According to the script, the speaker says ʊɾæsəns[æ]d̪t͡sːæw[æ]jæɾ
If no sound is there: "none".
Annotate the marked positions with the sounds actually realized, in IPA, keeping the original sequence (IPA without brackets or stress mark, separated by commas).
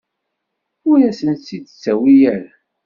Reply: i, i